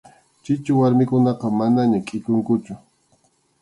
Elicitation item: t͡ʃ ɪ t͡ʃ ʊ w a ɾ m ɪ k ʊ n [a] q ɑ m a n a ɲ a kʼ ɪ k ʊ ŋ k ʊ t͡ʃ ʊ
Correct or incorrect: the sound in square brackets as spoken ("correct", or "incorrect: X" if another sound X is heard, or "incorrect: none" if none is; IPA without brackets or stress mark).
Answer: incorrect: ɑ